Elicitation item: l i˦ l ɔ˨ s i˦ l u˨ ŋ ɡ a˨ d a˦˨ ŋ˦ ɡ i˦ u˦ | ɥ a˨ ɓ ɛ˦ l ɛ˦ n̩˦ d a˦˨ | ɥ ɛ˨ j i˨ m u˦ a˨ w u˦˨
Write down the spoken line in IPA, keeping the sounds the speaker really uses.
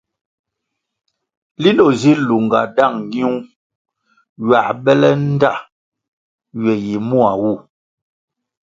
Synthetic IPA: l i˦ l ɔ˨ z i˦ l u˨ ŋ ɡ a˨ d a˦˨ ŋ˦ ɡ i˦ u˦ | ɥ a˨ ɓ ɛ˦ l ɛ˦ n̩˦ d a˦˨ | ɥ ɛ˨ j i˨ m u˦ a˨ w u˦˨